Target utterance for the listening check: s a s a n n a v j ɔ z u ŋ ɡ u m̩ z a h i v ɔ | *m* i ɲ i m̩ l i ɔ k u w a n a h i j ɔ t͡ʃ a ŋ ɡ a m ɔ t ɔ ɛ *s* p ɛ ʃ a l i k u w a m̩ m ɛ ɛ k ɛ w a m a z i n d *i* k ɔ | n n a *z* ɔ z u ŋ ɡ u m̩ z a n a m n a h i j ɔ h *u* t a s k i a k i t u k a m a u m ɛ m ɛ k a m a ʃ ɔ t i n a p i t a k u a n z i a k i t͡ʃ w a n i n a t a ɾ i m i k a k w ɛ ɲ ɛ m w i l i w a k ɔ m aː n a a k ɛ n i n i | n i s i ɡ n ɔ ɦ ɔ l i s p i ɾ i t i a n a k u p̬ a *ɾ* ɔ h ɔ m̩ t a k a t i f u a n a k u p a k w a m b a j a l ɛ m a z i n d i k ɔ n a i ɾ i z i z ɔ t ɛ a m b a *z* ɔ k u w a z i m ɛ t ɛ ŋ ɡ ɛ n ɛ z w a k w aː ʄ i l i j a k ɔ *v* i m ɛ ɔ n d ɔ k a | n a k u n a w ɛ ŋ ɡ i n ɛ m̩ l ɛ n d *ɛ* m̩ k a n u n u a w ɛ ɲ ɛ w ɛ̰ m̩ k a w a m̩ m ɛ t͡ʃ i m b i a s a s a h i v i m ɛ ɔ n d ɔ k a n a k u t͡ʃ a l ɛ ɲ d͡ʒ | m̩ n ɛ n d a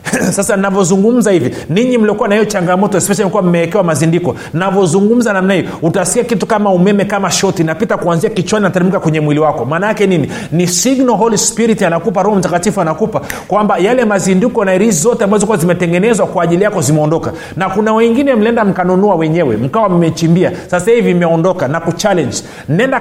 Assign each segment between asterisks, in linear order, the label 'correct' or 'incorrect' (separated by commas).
incorrect, correct, correct, incorrect, correct, correct, correct, incorrect, incorrect